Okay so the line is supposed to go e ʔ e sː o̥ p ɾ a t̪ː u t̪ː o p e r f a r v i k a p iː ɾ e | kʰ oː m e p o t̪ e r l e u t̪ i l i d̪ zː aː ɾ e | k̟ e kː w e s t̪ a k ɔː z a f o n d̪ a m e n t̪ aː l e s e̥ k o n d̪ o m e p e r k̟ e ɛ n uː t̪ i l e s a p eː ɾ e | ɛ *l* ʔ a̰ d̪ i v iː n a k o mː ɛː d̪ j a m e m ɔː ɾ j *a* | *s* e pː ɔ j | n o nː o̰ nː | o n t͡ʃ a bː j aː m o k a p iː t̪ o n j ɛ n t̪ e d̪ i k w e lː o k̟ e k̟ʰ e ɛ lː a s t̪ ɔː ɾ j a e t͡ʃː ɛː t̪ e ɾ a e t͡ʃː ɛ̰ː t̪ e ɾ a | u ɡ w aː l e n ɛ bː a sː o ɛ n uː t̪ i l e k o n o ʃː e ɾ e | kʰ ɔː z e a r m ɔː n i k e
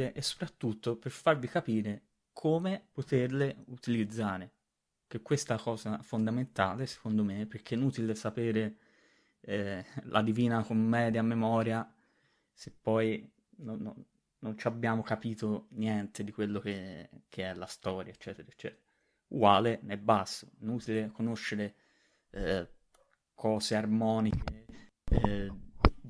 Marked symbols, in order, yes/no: yes, yes, yes

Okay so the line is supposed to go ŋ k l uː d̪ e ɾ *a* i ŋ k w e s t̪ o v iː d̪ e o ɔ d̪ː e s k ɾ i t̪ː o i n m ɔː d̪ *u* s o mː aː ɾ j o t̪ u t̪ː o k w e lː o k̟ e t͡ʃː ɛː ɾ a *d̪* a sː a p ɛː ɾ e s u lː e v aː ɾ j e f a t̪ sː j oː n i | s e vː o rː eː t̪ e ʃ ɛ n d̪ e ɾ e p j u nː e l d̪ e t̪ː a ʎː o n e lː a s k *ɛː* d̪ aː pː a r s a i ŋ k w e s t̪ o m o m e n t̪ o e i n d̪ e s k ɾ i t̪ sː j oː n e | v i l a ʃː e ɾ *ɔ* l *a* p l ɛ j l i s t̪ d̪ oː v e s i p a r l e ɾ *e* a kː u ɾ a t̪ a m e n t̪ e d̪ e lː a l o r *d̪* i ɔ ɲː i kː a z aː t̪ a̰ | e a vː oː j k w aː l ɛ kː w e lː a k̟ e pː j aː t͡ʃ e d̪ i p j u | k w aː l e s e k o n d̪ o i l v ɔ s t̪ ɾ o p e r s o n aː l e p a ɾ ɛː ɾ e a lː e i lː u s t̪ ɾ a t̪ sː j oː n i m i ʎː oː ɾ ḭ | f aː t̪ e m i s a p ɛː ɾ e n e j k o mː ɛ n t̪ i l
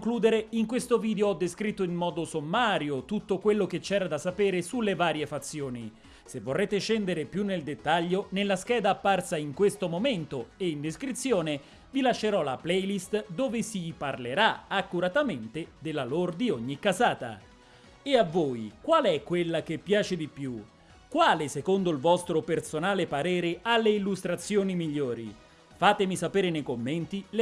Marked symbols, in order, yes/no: no, no, yes, yes, yes, yes, no, yes

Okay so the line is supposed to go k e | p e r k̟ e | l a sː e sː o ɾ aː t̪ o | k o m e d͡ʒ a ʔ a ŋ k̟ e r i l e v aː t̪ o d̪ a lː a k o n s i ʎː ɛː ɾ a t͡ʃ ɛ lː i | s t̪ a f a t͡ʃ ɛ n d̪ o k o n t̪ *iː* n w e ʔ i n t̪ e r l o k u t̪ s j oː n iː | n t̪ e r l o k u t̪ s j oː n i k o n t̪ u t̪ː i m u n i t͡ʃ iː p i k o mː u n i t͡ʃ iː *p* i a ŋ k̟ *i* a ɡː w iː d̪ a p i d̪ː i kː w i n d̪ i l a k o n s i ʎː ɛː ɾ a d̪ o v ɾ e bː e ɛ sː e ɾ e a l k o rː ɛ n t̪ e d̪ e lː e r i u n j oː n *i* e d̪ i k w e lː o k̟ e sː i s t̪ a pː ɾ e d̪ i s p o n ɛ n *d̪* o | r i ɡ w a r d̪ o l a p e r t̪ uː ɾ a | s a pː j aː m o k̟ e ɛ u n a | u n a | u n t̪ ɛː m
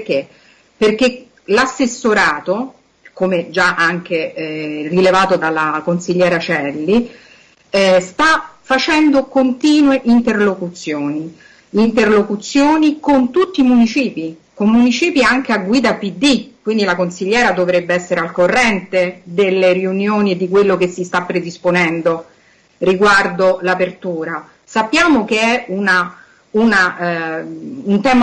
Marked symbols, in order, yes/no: yes, yes, no, yes, yes

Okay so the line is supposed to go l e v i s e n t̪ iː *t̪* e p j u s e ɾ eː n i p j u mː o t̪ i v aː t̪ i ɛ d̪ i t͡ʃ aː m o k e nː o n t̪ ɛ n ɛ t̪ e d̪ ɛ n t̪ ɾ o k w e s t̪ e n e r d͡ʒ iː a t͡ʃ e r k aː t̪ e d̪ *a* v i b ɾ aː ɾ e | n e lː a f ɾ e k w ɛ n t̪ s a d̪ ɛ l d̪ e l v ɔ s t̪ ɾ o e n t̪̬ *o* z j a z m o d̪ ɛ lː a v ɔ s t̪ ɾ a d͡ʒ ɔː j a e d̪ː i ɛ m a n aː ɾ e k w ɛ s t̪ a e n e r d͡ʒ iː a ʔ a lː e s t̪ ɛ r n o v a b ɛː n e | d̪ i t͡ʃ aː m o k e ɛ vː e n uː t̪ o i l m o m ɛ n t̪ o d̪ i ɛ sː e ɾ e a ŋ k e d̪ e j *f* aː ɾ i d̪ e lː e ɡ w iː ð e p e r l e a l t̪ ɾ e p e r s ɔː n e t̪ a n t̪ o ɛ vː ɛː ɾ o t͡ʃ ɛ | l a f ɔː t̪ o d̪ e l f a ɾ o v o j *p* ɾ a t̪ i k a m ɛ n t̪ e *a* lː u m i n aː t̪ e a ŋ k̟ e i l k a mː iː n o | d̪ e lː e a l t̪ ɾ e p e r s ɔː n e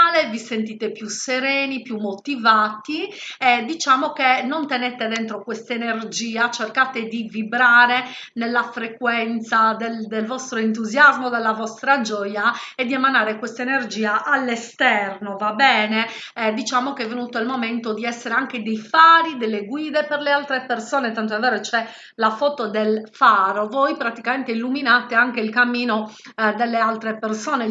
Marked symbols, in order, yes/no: yes, no, no, yes, yes, no

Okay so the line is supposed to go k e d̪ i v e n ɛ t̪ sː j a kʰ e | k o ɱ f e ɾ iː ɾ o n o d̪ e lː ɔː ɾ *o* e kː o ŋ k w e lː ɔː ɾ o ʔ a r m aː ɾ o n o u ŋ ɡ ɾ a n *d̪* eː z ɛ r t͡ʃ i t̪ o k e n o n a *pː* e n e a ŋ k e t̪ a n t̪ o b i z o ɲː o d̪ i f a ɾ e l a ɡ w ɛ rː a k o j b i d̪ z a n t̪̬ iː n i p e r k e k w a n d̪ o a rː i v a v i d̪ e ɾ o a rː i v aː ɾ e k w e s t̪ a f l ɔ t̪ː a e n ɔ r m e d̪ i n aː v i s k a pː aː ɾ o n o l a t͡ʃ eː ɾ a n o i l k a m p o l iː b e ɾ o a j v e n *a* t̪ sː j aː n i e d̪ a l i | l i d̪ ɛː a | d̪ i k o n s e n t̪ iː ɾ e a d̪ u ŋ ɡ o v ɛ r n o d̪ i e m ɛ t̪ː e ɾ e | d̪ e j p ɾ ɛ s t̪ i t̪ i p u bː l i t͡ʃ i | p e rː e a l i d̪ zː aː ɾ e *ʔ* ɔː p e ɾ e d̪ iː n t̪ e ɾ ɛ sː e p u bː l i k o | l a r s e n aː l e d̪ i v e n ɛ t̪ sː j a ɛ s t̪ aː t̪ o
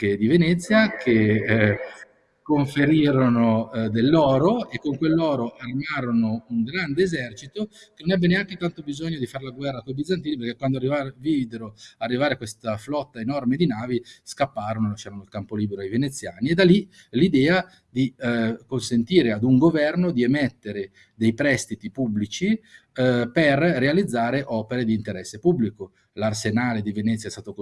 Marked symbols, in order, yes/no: yes, yes, no, no, yes

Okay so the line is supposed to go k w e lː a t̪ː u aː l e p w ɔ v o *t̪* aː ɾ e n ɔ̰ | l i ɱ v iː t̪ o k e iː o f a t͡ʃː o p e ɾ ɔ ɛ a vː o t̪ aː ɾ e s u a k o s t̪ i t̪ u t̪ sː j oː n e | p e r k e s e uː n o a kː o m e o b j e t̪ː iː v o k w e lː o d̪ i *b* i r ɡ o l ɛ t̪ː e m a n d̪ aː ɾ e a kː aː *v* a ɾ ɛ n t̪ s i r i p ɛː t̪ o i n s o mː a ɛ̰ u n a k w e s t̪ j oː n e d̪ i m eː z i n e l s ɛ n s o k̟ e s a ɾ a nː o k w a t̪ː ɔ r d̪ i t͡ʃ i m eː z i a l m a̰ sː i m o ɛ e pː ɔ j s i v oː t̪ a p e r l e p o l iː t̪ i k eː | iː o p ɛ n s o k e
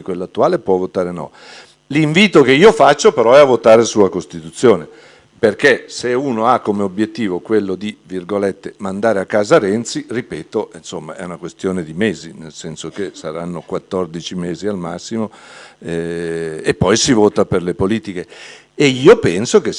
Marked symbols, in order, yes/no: yes, no, no

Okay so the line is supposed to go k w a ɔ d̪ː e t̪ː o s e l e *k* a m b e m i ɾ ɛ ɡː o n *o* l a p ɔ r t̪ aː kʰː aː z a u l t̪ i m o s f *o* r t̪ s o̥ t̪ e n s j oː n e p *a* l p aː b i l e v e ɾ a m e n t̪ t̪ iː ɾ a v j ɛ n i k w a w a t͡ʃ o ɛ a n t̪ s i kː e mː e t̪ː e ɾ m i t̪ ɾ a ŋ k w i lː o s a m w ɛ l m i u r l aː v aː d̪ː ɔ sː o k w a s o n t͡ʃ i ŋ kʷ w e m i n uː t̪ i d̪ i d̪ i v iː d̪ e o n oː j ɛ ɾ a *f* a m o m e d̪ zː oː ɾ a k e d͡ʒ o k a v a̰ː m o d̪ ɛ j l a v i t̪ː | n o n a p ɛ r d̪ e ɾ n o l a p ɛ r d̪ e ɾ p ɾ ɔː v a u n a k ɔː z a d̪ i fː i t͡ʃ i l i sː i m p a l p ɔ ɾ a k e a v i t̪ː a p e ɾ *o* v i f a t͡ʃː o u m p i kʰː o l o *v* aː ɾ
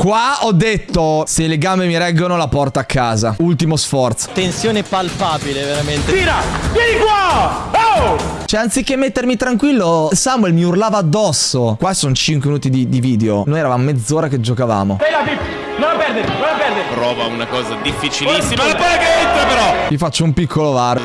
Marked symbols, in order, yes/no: no, yes, no, yes, no, no, yes

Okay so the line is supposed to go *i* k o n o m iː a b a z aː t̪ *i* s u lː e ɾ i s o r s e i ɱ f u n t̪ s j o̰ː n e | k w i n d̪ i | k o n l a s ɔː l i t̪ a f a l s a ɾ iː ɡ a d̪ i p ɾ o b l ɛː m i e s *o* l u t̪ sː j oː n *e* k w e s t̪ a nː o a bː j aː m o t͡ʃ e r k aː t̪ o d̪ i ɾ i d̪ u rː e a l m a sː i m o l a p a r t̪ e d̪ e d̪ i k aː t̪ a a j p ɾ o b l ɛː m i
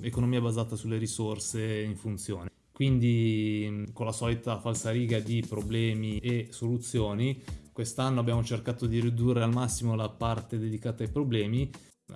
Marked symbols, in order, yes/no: no, no, yes, no

